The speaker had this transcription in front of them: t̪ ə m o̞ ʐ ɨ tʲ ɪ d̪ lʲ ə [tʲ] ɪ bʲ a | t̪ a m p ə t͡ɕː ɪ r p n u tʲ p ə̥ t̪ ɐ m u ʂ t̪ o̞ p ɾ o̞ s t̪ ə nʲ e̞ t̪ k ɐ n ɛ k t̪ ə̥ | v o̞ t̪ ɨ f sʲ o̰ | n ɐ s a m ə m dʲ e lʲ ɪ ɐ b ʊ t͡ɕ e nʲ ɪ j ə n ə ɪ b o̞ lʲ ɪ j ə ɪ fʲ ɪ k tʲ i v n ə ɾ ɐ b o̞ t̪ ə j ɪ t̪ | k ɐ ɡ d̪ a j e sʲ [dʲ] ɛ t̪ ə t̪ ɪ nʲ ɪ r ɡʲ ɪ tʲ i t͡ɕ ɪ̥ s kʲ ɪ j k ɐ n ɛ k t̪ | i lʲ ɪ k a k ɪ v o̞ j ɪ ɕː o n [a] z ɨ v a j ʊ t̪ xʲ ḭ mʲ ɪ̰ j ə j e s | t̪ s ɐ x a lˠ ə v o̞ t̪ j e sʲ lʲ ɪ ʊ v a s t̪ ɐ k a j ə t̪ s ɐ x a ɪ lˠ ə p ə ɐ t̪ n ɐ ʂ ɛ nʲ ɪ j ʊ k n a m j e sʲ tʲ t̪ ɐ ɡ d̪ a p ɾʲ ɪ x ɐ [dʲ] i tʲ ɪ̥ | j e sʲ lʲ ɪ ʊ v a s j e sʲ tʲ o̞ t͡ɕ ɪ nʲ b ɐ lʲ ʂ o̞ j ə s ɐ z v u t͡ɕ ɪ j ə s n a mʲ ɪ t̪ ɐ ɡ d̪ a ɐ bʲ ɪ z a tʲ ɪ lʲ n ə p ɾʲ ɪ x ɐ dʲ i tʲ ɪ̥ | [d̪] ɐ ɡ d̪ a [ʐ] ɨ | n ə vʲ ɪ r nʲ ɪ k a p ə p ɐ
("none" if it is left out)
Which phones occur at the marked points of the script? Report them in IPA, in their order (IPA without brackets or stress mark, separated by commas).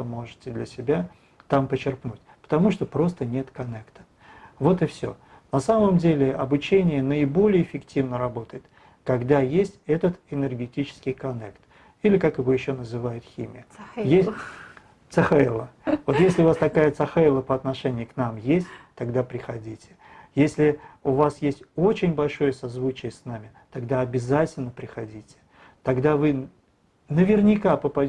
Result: sʲ, tʲ, ə, dʲ, t̪, v